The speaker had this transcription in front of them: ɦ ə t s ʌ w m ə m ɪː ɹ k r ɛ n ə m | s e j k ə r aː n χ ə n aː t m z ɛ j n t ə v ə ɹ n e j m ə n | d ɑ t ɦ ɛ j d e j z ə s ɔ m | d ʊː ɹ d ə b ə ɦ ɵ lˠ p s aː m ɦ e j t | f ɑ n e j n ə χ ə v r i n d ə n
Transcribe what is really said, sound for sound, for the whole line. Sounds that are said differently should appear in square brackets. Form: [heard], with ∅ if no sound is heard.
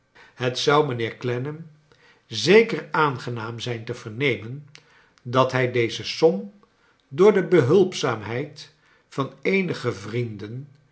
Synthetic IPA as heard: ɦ ə t s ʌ w m ə [n] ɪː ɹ k [l] ɛ n ə m | [z] e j k ə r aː n χ ə n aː [∅] m z ɛ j n t ə v ə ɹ n e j m ə n | d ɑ t ɦ ɛ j d e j z ə s ɔ m | d ʊː ɹ d ə b ə ɦ ɵ lˠ p s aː m ɦ [ɛ] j t | f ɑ n e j n ə χ ə v r i n d ə n